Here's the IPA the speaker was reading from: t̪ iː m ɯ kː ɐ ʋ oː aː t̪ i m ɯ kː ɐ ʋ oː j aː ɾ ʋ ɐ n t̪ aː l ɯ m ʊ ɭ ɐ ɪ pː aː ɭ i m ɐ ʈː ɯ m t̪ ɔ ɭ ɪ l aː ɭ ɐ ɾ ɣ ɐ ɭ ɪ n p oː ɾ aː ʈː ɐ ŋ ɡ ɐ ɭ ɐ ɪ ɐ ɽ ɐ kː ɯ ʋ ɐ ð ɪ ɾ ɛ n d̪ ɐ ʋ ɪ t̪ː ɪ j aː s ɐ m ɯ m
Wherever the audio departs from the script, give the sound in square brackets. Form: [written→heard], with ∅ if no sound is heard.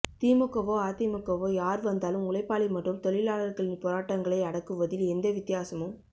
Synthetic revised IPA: t̪ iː m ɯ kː ɐ ʋ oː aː t̪ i m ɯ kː ɐ ʋ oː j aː ɾ ʋ ɐ n [t̪→d̪] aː l ɯ m ʊ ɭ ɐ ɪ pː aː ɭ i m ɐ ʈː ɯ m t̪ ɔ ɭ ɪ l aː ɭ ɐ ɾ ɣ ɐ ɭ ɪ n p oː ɾ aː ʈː ɐ ŋ ɡ ɐ ɭ ɐ ɪ ɐ ɽ ɐ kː ɯ ʋ ɐ ð ɪ [ɾ→l] ɛ n d̪ ɐ ʋ ɪ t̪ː ɪ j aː s ɐ m ɯ m